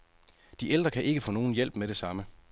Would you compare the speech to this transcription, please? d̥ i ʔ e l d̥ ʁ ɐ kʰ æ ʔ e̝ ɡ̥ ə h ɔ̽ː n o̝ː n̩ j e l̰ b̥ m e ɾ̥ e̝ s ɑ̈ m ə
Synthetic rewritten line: d̥ i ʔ e l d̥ ʁ ɐ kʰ æ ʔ e̝ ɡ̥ ə f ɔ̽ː n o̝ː n̩ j e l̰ b̥ m e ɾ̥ e̝ s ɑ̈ m ə